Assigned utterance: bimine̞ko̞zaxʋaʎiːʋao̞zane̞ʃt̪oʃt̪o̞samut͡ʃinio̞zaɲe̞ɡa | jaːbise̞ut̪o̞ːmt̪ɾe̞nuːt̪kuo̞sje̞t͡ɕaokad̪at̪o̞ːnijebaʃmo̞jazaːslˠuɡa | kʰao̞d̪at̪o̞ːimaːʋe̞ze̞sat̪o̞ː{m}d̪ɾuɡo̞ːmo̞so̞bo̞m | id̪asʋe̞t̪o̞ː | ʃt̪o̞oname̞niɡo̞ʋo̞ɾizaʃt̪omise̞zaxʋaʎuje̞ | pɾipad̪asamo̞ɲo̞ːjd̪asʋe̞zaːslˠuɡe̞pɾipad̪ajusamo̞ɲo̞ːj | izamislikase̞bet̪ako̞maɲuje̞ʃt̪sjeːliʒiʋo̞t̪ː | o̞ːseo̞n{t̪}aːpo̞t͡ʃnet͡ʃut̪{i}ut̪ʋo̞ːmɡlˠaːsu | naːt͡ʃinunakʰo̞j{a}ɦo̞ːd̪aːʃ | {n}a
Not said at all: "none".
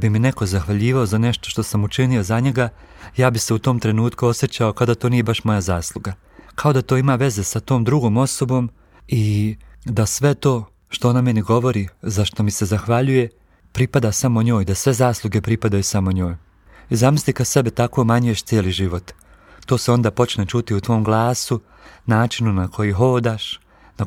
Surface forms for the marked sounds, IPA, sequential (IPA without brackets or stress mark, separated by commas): m, d̪, i, i, n